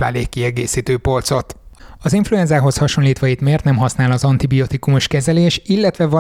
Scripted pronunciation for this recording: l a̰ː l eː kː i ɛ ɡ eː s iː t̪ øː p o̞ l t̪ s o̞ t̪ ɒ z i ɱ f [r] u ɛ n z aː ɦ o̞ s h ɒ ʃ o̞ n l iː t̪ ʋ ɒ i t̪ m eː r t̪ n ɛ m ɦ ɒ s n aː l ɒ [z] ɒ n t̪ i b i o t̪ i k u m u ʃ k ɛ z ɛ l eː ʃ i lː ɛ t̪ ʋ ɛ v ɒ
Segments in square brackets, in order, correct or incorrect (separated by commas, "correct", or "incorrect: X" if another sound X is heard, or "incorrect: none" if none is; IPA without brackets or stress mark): incorrect: l, correct